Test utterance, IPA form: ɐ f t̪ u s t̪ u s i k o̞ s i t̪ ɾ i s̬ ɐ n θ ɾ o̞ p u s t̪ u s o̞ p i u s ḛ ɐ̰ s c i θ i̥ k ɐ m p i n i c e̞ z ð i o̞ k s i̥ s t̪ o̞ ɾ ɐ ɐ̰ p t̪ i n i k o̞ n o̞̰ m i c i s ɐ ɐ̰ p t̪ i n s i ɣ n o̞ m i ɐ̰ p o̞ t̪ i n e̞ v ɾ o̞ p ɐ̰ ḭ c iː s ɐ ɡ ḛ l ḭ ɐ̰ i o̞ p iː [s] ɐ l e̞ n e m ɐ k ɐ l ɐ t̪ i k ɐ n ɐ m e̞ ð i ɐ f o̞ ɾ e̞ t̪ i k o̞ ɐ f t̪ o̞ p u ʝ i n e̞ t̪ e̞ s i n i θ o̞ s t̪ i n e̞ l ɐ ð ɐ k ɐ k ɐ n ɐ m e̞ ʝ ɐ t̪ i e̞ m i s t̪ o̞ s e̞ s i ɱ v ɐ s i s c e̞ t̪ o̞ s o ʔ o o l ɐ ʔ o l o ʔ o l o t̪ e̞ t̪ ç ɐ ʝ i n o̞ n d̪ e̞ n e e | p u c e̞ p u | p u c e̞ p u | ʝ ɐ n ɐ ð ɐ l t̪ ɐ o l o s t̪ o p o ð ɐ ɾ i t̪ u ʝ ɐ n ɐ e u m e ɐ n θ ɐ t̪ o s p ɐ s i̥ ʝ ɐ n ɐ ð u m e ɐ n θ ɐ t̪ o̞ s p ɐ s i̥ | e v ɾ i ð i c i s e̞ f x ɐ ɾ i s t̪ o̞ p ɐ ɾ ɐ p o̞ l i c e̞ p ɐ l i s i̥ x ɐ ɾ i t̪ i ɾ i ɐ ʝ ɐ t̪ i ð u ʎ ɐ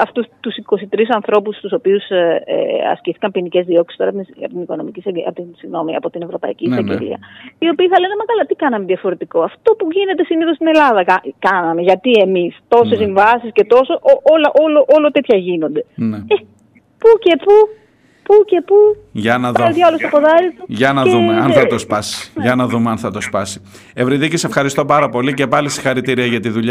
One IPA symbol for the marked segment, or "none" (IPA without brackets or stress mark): θ